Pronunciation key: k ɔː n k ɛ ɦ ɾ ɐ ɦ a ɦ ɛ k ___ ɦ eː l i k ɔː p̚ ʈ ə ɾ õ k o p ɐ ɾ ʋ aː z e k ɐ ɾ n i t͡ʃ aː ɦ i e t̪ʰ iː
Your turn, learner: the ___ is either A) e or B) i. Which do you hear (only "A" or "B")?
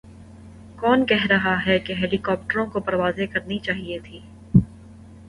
A